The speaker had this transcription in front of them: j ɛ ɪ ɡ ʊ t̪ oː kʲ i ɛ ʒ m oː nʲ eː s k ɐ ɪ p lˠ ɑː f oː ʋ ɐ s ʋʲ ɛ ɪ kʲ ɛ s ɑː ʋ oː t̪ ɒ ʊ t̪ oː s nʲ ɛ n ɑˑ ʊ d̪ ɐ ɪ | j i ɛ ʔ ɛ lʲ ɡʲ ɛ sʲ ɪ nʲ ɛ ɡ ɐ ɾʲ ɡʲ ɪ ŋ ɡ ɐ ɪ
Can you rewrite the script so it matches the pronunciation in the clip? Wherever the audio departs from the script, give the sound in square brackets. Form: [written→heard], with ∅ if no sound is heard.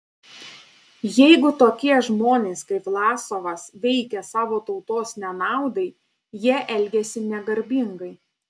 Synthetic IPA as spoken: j ɛ ɪ ɡ ʊ t̪ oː kʲ i ɛ ʒ m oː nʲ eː s k ɐ ɪ p lˠ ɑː [f→s] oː ʋ ɐ s ʋʲ ɛ ɪ kʲ ɛ s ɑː ʋ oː t̪ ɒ ʊ t̪ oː s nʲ ɛ n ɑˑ ʊ d̪ ɐ ɪ | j i ɛ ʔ ɛ lʲ ɡʲ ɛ sʲ ɪ nʲ ɛ ɡ ɐ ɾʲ [ɡʲ→bʲ] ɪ ŋ ɡ ɐ ɪ